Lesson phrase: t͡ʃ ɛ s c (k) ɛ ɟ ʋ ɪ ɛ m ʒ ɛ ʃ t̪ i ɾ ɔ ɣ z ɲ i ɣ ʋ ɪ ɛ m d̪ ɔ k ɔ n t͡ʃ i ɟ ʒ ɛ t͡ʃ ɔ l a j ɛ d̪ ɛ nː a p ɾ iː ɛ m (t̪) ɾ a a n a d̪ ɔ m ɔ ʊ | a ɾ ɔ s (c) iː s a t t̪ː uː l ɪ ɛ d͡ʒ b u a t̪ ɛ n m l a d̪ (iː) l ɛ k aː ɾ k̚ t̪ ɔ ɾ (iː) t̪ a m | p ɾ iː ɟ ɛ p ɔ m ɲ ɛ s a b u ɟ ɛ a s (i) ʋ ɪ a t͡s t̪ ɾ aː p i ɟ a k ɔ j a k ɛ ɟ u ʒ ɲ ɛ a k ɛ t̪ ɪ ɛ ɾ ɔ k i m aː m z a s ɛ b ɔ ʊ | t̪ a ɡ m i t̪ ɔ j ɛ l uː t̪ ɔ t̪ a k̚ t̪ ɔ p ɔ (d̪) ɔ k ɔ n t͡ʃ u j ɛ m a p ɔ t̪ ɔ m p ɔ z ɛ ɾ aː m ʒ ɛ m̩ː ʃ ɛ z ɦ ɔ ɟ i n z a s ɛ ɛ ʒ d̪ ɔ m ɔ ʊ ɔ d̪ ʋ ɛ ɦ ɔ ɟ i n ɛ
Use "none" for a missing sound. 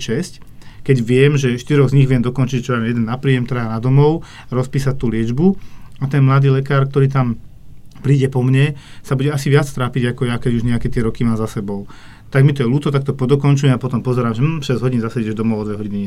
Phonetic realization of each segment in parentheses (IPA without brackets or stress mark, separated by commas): k, t̪, p, iː, iː, i, d̪